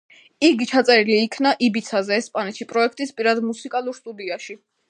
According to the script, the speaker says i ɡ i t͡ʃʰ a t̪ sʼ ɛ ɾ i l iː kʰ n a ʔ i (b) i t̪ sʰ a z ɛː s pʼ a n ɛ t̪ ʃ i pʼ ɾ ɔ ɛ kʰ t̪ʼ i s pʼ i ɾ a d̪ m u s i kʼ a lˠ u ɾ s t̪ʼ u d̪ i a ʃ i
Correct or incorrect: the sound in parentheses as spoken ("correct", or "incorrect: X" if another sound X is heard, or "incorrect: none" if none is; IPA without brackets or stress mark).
correct